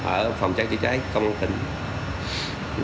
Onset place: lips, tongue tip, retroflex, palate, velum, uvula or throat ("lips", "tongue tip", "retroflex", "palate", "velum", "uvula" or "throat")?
throat